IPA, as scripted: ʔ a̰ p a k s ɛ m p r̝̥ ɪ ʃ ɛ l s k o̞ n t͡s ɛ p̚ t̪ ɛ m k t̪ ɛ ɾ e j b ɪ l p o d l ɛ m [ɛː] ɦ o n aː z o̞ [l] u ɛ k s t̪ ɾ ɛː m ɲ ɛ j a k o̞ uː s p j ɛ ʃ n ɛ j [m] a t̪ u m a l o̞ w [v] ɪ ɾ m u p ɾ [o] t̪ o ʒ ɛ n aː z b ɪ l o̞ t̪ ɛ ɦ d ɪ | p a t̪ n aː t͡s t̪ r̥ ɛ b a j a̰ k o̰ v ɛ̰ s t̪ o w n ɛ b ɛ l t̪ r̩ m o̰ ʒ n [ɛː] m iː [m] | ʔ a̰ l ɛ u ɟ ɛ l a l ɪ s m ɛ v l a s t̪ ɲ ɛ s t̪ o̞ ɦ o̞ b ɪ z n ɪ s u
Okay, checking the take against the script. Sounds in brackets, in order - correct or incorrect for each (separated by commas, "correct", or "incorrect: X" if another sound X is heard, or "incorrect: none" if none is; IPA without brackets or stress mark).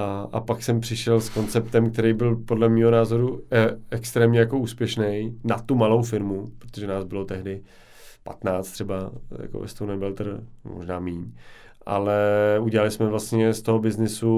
incorrect: iː, incorrect: ɾ, incorrect: n, incorrect: f, correct, incorrect: aː, incorrect: ɲ